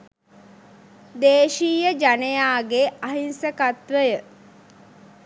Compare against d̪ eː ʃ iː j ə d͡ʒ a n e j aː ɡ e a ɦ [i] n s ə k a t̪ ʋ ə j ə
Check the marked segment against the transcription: correct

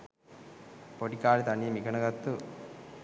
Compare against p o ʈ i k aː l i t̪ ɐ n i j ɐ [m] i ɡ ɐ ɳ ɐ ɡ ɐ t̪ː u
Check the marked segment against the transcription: correct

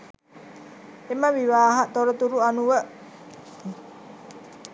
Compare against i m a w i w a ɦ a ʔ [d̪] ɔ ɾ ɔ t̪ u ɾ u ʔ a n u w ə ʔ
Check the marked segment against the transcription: incorrect: t̪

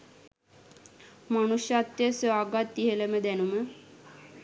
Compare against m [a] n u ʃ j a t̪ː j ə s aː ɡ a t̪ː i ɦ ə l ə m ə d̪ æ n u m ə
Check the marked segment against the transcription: correct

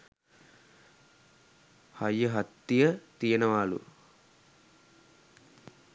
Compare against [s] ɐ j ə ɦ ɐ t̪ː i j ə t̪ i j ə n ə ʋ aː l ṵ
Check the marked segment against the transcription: incorrect: h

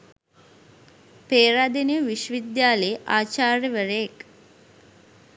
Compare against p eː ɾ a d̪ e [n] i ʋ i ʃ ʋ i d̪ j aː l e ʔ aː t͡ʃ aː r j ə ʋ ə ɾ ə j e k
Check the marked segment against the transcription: correct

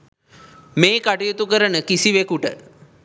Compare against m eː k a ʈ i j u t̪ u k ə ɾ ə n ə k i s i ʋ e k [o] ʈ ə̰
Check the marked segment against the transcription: incorrect: u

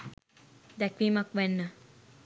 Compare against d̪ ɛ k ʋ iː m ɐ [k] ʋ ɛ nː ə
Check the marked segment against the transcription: correct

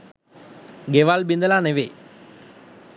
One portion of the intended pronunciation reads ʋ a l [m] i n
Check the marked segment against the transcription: incorrect: b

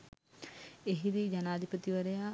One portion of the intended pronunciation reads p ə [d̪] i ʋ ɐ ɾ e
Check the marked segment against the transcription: incorrect: t̪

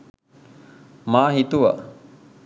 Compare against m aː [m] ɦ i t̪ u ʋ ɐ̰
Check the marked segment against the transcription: incorrect: none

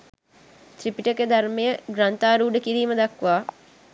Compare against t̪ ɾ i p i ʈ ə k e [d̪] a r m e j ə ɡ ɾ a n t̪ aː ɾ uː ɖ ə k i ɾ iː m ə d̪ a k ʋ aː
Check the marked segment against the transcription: correct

